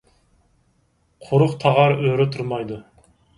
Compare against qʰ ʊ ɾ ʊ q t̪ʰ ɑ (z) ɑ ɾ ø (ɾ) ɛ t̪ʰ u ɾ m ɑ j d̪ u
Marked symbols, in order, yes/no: no, yes

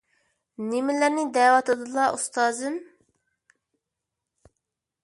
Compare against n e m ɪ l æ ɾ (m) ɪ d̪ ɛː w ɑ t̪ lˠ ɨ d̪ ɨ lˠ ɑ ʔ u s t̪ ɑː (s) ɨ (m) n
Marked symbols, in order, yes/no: no, no, no

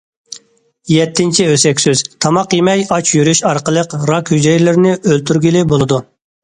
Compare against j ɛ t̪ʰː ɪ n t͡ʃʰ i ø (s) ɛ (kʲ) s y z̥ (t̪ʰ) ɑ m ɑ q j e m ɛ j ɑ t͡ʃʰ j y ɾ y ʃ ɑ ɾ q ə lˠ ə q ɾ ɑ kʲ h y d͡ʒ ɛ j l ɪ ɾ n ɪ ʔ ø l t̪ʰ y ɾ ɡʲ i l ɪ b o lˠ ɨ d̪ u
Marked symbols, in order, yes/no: yes, yes, yes

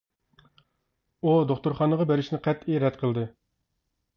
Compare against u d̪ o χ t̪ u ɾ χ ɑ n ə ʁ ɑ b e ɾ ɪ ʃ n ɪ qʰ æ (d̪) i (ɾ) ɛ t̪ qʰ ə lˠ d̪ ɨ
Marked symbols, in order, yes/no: no, yes

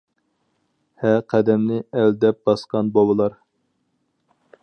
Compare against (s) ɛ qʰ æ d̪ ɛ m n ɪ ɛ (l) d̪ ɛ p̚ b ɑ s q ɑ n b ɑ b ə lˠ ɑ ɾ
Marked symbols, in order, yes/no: no, yes

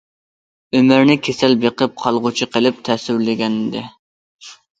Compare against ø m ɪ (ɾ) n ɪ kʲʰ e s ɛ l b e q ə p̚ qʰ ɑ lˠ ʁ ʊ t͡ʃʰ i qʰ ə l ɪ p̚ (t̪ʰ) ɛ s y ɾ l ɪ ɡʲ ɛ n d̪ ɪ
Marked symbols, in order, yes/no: yes, yes

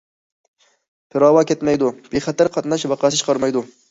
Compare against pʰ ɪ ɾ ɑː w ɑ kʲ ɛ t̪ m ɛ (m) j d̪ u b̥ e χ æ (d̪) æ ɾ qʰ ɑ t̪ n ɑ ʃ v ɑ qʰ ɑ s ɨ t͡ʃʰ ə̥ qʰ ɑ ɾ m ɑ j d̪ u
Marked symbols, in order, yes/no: no, no

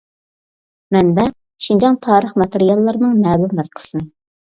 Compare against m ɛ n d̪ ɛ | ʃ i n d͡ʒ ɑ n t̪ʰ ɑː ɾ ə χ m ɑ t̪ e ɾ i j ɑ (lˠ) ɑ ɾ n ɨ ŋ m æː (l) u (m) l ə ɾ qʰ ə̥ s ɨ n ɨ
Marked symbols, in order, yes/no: no, yes, yes

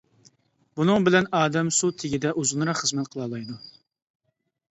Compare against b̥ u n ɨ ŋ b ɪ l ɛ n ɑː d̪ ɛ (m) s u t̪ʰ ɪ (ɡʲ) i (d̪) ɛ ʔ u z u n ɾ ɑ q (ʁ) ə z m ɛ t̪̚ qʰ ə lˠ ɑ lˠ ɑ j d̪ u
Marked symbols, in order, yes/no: yes, yes, yes, no

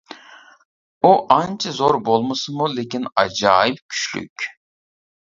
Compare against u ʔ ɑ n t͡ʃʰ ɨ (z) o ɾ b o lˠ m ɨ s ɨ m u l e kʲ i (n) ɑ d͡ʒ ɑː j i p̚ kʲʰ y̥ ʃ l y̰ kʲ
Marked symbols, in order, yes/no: yes, yes

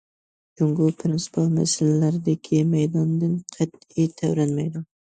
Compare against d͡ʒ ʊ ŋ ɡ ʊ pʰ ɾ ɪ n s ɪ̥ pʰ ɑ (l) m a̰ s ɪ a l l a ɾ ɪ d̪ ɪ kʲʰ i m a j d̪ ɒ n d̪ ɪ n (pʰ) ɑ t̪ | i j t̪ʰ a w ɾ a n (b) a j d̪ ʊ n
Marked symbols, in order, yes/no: yes, no, no

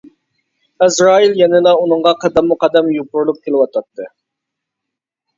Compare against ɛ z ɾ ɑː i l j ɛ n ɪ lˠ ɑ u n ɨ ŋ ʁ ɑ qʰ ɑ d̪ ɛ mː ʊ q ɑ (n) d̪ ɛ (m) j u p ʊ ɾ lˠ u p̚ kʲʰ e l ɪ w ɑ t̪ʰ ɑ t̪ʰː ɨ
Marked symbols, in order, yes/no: no, yes

